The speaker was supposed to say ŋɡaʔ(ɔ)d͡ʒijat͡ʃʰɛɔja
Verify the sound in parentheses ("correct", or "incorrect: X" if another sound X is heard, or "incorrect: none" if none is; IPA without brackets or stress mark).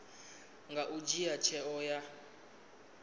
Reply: incorrect: u